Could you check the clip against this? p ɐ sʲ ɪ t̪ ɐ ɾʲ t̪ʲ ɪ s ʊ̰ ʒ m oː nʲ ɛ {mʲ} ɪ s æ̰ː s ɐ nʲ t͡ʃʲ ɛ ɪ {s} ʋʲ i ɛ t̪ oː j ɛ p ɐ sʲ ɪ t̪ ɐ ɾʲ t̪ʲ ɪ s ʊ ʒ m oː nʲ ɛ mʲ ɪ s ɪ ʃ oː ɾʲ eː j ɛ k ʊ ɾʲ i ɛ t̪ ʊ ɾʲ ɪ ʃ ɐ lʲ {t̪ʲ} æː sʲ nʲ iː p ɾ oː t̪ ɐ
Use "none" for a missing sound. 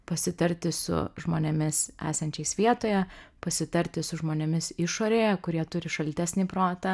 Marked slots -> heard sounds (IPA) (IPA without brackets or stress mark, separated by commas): mʲ, s, t̪ʲ